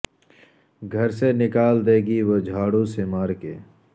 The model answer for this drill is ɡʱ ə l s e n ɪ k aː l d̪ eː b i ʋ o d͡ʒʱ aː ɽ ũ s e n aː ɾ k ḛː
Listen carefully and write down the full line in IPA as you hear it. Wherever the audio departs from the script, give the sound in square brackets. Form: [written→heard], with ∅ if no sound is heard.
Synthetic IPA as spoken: ɡʱ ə [l→ɾ] s e n ɪ k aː l d̪ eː [b→ɡ] i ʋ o d͡ʒʱ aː ɽ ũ s e [n→m] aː ɾ k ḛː

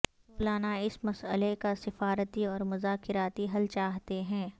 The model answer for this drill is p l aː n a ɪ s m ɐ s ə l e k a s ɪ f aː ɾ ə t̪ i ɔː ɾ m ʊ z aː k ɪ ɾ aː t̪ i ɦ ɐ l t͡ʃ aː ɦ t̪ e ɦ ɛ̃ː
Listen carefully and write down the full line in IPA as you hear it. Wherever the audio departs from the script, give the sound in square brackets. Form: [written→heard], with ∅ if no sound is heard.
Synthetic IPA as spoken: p l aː n a ɪ s m ɐ s ə l e k a s ɪ f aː ɾ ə t̪ i ɔː ɾ m ʊ z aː k ɪ ɾ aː t̪ i ɦ ɐ l t͡ʃ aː ɦ t̪ e ɦ ɛ̃ː

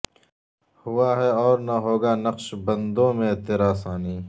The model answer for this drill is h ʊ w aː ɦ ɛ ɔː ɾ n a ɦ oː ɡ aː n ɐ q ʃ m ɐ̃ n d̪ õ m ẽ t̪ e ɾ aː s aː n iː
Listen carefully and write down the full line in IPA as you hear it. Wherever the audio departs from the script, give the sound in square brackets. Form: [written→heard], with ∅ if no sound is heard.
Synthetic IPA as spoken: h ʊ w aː ɦ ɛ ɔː ɾ n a ɦ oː ɡ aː n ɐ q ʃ [m→b] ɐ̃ n d̪ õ m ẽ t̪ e ɾ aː s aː n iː

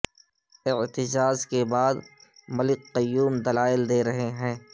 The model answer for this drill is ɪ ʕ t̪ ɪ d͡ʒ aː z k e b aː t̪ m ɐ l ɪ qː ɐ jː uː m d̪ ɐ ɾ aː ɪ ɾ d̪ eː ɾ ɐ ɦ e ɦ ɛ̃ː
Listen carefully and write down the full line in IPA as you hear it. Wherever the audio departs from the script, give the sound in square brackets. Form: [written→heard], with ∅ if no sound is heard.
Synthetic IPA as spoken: ɪ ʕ t̪ ɪ d͡ʒ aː z k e b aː [t̪→d̪] m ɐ l ɪ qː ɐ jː uː m d̪ ɐ [ɾ→l] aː ɪ [ɾ→l] d̪ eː ɾ ɐ ɦ e ɦ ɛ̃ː

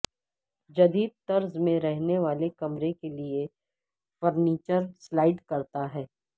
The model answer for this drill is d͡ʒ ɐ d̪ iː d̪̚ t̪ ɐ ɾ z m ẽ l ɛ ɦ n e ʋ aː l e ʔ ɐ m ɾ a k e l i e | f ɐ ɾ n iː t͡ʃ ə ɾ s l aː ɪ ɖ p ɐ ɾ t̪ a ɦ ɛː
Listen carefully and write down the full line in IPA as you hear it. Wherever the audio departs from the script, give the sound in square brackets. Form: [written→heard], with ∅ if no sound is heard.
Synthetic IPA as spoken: d͡ʒ ɐ d̪ iː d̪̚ t̪ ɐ ɾ z m ẽ [l→ɾ] ɛ ɦ n e ʋ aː l e [ʔ→k] ɐ m ɾ [a→e] k e l i e | f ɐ ɾ n iː t͡ʃ ə ɾ s l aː ɪ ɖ [p→k] ɐ ɾ t̪ a ɦ ɛː

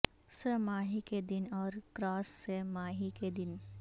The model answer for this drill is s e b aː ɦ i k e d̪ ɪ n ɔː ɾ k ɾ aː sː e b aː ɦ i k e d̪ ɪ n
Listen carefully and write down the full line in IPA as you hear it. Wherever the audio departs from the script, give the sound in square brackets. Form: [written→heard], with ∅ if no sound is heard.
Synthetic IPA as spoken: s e [b→m] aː ɦ i k e d̪ ɪ n ɔː ɾ k ɾ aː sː e [b→m] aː ɦ i k e d̪ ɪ n

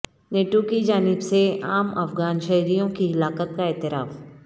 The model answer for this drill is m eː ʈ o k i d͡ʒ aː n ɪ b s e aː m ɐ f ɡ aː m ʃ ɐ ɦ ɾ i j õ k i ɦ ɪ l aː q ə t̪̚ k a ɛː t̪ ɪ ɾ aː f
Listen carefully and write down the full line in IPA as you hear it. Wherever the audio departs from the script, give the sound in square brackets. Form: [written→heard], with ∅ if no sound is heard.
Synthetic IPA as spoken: [m→n] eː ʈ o k i d͡ʒ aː n ɪ b s e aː m ɐ f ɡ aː [m→n] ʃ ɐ ɦ ɾ i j õ k i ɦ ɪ l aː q ə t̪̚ k a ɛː t̪ ɪ ɾ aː f

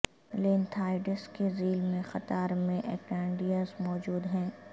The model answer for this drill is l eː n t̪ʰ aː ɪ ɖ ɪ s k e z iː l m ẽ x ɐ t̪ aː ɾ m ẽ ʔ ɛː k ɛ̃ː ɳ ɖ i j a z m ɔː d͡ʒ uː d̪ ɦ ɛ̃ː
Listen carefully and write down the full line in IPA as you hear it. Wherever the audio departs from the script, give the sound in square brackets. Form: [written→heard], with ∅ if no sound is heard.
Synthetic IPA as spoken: l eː n t̪ʰ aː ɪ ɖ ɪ s k e z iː l m ẽ x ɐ t̪ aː ɾ m ẽ ʔ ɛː k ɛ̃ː ɳ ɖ i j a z m ɔː d͡ʒ uː d̪ ɦ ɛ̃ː

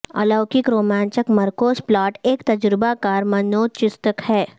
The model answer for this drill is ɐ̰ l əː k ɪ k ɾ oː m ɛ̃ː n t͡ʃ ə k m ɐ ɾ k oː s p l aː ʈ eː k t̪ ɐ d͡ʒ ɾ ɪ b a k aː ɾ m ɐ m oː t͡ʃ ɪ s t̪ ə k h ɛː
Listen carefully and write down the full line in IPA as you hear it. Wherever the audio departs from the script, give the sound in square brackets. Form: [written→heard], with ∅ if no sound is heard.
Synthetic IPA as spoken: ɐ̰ l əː k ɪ k ɾ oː m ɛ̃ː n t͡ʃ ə k m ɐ ɾ k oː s p l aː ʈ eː k t̪ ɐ d͡ʒ ɾ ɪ b a k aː ɾ m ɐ [m→n] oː t͡ʃ ɪ s t̪ ə k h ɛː

